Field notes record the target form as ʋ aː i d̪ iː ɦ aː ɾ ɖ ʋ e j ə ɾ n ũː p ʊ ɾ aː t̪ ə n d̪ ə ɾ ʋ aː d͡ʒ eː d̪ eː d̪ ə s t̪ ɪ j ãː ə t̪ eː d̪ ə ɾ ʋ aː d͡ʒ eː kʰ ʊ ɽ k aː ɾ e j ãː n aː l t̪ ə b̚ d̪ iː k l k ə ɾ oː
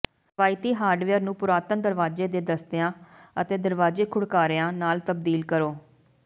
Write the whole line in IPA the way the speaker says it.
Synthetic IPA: ʋ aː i t̪ iː ɦ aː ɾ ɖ ʋ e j ə ɾ n ũː p ʊ ɾ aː t̪ ə n d̪ ə ɾ ʋ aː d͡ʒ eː d̪ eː d̪ ə s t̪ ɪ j ãː ə t̪ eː d̪ ə ɾ ʋ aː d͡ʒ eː kʰ ʊ ɽ k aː ɾ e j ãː n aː l t̪ ə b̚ d̪ iː l k ə ɾ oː